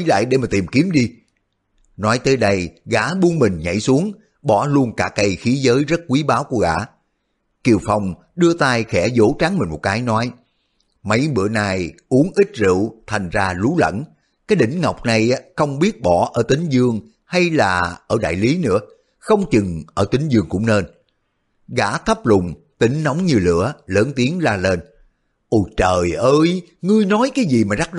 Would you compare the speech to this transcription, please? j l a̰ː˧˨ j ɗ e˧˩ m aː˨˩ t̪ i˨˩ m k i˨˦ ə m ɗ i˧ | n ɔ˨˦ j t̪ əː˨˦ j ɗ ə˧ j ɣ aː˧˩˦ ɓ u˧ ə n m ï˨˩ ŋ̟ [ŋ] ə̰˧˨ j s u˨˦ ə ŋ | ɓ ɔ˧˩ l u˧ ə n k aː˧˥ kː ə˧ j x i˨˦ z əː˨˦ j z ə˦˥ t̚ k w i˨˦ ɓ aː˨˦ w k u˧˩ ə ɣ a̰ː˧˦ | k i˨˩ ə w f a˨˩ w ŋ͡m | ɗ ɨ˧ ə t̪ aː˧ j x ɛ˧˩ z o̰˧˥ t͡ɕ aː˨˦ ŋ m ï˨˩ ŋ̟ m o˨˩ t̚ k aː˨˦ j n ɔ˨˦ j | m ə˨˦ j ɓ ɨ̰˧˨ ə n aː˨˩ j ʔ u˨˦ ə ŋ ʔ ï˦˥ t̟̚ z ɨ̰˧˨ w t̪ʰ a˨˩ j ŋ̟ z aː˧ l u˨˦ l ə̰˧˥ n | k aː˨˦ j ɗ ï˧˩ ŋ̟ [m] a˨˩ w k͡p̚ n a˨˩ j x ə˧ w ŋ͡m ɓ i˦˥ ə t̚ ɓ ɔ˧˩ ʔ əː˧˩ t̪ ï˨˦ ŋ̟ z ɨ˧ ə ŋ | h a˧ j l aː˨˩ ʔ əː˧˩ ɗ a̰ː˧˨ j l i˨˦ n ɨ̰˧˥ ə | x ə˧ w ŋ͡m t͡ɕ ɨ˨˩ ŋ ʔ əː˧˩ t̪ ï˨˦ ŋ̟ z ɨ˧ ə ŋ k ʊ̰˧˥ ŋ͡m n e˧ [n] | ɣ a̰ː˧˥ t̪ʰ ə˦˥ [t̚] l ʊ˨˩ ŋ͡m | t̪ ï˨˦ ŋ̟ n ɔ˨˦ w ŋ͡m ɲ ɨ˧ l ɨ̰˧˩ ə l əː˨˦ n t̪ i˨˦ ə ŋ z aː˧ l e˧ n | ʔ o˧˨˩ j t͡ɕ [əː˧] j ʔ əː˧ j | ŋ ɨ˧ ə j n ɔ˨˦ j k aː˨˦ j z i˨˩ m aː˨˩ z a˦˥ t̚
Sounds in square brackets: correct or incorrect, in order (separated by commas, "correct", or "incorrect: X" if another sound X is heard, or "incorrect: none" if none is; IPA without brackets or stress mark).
incorrect: ɲ, incorrect: ŋ, correct, incorrect: p̚, incorrect: əː˨˩